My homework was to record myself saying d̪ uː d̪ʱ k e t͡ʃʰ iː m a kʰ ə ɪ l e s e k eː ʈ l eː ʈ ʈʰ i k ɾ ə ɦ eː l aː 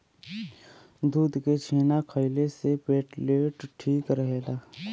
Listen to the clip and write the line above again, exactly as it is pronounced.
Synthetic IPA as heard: d̪ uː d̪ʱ k e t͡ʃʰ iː n a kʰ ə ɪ l e s e p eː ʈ l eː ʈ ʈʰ iː k ɾ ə ɦ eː l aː